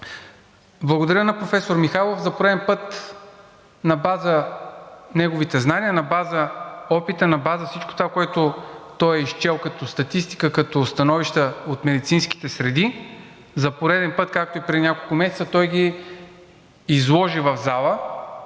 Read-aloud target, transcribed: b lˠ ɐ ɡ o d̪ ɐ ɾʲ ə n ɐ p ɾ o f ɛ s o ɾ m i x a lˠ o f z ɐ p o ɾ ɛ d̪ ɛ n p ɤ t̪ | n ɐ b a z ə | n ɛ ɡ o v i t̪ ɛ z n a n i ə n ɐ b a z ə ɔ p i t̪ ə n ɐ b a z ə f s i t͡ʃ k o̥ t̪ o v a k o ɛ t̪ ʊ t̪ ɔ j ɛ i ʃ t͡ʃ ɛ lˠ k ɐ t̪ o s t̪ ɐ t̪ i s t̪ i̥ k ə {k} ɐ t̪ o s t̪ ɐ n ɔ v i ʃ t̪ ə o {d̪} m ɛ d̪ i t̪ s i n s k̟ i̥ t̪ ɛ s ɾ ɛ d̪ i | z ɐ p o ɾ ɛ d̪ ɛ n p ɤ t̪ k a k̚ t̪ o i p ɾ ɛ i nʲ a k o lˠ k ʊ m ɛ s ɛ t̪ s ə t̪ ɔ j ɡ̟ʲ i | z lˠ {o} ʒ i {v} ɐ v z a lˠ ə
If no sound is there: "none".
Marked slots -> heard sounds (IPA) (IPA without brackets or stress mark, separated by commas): k, t̪, ɔ, v